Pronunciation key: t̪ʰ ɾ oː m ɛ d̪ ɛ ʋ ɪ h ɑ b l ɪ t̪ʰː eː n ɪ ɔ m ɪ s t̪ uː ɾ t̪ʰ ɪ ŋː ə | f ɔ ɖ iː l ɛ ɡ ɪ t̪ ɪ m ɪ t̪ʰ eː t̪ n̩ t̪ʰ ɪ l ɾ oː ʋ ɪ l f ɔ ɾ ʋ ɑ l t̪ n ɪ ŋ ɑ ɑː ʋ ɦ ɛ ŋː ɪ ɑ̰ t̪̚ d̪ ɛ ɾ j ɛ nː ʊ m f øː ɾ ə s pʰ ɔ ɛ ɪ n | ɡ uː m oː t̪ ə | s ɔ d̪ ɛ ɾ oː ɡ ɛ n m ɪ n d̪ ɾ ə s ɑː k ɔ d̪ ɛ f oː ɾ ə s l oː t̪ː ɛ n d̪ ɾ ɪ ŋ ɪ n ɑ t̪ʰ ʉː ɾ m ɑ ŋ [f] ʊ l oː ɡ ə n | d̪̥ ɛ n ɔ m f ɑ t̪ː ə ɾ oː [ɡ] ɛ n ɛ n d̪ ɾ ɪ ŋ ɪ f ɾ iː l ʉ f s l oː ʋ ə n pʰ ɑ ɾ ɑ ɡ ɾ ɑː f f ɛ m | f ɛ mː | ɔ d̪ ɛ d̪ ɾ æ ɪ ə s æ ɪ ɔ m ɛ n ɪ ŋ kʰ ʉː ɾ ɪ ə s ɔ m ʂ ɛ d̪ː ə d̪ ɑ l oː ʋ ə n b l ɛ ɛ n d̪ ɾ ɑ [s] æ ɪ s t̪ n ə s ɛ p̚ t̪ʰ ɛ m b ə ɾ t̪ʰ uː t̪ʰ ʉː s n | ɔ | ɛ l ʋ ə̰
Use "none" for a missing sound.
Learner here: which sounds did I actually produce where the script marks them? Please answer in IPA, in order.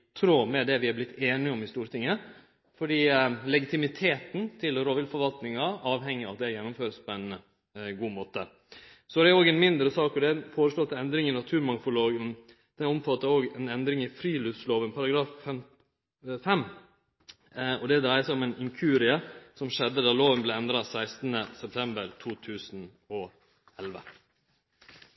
f, ɡ, s

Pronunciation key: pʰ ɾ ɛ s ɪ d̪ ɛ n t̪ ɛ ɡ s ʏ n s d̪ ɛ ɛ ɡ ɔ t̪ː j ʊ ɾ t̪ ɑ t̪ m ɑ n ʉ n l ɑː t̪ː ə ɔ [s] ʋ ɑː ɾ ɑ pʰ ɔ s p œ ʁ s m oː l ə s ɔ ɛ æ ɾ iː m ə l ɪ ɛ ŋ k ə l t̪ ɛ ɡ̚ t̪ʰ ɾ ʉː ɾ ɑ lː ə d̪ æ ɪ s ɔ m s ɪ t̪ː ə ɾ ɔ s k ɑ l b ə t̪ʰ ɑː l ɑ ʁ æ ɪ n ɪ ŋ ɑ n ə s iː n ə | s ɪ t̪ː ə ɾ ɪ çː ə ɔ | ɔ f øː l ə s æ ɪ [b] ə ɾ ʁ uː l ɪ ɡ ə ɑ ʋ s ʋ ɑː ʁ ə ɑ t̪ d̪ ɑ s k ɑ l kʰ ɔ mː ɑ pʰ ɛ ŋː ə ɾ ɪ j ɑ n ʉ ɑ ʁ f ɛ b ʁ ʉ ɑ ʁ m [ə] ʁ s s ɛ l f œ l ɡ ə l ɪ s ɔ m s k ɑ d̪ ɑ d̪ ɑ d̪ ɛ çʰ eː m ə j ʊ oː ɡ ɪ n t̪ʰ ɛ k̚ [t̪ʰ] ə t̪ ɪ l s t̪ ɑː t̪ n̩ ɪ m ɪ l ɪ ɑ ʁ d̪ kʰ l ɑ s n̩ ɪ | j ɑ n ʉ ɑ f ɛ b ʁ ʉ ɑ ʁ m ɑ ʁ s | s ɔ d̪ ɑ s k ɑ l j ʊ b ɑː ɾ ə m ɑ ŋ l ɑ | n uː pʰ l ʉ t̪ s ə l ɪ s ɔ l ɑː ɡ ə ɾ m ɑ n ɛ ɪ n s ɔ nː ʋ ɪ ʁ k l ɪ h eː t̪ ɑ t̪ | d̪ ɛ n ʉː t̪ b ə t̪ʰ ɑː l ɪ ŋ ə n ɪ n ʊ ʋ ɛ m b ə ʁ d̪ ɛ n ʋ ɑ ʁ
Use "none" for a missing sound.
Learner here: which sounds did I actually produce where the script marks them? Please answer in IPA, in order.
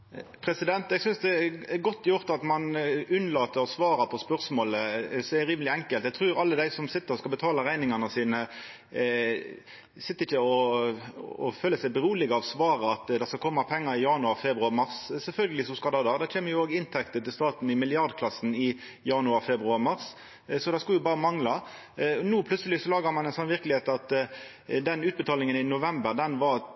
s, b, ɑ, t̪

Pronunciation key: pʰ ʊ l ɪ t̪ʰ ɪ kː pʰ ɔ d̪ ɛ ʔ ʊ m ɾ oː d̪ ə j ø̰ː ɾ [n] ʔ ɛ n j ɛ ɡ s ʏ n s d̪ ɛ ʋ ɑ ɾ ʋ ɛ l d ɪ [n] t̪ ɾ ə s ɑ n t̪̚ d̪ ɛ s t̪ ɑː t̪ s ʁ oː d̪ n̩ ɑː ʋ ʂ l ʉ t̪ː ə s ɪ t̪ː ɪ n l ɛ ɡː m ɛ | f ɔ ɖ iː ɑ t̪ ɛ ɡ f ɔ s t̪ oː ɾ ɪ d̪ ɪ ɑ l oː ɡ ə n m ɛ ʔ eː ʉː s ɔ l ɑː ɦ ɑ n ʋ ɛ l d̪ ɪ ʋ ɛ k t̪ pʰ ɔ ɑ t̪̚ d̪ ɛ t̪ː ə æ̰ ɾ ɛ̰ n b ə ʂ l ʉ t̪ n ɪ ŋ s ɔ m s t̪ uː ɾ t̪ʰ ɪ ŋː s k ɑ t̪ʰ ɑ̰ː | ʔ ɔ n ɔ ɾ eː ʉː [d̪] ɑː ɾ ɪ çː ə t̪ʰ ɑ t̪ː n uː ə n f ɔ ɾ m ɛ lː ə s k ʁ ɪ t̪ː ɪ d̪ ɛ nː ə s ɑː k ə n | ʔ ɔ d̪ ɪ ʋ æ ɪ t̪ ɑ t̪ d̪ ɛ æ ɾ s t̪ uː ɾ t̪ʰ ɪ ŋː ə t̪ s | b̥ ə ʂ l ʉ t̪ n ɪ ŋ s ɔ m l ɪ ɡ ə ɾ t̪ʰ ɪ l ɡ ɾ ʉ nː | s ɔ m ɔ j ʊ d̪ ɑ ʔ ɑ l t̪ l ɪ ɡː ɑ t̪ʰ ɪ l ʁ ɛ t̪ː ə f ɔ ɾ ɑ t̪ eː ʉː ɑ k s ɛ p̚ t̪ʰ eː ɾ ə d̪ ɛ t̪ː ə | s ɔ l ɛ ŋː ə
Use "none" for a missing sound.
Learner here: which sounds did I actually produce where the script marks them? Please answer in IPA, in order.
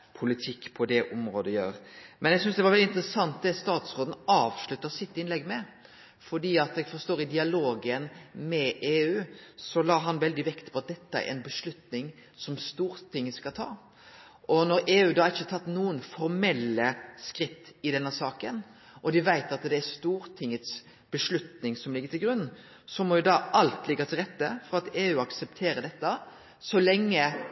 m, n, d̪

